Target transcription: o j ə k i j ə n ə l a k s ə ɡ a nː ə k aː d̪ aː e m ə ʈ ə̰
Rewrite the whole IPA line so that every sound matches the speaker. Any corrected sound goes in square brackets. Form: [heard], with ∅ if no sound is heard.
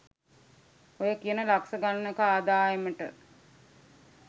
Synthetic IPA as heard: o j ə k i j ə n ə l a k s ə ɡ a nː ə k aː d̪ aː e m ə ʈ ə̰